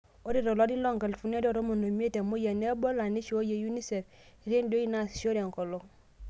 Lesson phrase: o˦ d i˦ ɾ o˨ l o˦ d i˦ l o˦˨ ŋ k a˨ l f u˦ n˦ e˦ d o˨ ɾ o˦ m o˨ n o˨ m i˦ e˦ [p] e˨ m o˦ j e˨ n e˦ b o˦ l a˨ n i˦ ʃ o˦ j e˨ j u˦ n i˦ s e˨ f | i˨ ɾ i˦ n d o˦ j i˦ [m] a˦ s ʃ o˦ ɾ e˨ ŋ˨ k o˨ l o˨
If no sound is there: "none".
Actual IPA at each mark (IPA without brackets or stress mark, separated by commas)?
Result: t, n